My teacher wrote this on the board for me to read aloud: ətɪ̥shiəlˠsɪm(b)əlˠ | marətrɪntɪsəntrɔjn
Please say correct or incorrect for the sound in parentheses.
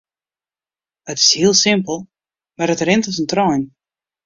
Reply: incorrect